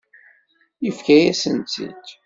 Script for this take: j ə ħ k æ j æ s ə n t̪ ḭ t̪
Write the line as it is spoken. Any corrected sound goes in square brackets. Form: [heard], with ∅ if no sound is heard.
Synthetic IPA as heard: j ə [f] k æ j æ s ə n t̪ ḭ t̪